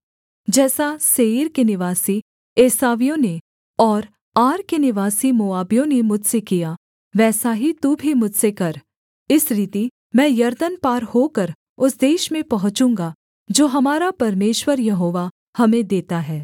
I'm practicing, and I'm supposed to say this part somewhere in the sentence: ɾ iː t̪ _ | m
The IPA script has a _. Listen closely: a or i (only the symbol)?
i